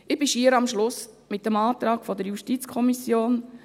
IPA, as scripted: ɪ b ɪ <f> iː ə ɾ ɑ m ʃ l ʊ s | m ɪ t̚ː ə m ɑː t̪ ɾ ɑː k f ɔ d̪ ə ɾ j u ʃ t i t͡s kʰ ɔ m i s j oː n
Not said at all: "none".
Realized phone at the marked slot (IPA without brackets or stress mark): ʃ